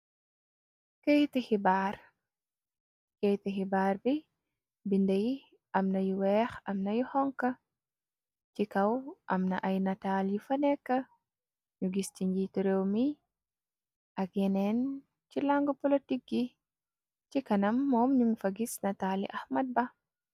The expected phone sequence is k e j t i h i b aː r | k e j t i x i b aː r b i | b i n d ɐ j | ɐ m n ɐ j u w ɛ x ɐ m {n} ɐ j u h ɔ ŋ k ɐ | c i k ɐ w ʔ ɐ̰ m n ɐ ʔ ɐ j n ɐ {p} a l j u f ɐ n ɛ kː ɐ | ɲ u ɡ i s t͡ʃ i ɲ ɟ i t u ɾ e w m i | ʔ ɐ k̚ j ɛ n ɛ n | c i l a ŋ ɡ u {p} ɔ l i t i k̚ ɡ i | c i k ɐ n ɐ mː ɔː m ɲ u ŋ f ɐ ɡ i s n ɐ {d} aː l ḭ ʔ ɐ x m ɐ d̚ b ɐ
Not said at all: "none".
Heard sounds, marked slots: n, t, p, t

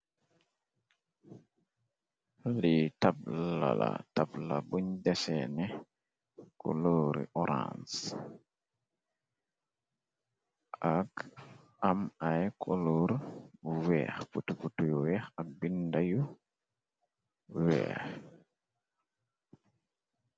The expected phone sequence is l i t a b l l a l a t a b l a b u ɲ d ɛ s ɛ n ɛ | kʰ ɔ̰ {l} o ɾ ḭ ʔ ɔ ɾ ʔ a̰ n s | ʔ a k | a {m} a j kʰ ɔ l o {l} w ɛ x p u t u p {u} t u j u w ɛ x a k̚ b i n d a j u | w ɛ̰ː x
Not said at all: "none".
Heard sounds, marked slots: l, m, ɾ, u

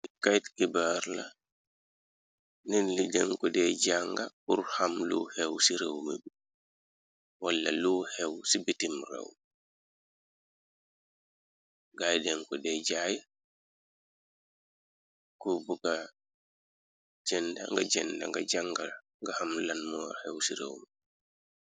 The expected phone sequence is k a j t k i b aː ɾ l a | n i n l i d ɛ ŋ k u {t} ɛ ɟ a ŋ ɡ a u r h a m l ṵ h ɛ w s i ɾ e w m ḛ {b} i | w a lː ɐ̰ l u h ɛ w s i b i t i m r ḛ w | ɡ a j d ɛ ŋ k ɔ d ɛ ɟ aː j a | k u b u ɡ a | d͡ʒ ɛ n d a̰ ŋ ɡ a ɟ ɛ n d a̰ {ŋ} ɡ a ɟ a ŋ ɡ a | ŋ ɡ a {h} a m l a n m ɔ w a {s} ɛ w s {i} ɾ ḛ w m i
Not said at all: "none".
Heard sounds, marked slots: d, b, ŋ, h, h, i

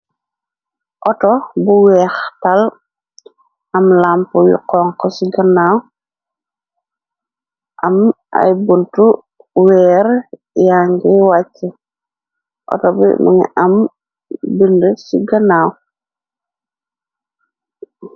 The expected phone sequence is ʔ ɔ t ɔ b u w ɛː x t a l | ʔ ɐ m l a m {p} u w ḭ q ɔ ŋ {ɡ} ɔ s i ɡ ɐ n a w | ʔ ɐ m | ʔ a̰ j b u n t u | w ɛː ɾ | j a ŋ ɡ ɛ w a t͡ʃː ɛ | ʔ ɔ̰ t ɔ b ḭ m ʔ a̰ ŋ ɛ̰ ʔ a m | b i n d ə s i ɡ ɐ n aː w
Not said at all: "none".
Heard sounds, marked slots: p, k

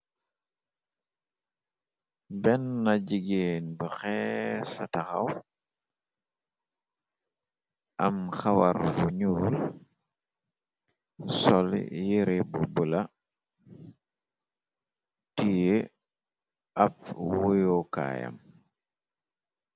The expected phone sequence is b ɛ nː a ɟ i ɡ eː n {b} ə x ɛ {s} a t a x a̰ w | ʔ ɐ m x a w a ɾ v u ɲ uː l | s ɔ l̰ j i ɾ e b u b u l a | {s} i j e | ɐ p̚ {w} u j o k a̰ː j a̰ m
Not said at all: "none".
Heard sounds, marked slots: b, s, t, w

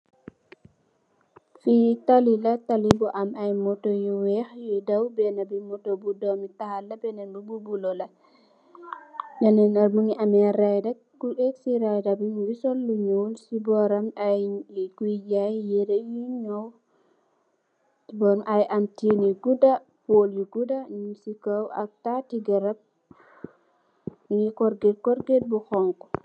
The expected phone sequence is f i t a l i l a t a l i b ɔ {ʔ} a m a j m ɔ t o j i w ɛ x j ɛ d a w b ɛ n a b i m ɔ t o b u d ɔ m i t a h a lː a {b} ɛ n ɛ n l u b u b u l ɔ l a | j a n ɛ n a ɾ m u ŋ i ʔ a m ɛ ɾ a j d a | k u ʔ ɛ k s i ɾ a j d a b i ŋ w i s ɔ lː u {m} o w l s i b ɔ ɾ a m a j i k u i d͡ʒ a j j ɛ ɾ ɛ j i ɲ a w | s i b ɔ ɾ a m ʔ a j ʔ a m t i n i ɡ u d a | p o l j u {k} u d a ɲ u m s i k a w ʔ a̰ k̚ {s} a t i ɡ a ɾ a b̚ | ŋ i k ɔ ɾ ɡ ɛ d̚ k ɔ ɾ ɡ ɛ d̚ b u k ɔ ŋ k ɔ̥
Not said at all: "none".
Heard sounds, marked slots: ʔ, b, ɲ, ɡ, t

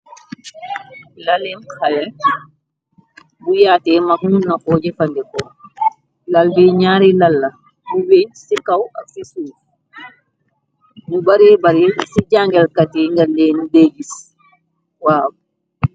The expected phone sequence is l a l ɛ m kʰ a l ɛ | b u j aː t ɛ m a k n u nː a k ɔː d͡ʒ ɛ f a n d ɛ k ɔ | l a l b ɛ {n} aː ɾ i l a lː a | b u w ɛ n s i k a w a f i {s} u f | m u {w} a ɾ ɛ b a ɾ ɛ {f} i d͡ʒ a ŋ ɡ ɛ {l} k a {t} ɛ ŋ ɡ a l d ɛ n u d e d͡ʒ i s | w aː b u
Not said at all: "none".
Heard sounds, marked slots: ɲ, s, b, s, l, t

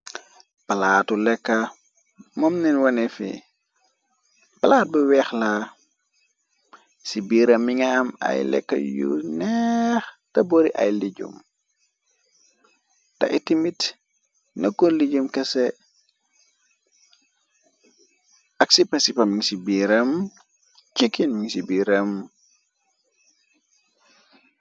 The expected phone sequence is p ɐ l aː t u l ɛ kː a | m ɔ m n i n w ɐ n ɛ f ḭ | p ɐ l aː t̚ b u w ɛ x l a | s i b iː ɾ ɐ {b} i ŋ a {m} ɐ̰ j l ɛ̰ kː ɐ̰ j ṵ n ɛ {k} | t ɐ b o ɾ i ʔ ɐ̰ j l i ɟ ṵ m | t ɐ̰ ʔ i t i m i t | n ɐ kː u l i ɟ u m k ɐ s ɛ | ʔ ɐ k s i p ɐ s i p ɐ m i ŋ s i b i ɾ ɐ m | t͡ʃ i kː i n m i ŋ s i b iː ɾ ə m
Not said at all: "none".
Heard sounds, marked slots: m, m, x

